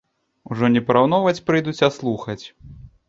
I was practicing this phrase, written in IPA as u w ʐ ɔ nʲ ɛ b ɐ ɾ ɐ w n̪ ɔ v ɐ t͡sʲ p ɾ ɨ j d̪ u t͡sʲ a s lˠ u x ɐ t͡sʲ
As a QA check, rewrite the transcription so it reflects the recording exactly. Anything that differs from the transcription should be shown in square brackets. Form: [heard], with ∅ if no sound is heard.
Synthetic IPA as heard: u [∅] ʐ ɔ nʲ ɛ [p] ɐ ɾ [a] w n̪ ɔ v ɐ t͡sʲ p ɾ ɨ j d̪ u t͡sʲ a s lˠ u x ɐ t͡sʲ